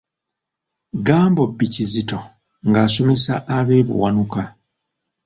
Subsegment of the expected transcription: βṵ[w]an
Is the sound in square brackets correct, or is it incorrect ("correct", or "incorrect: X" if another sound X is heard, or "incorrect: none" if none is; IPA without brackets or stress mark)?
correct